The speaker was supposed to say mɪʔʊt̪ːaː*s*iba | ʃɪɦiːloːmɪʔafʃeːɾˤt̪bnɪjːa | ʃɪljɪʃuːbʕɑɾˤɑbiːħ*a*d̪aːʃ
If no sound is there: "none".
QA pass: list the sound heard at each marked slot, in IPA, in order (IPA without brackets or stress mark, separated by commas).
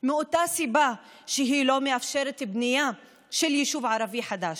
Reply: s, a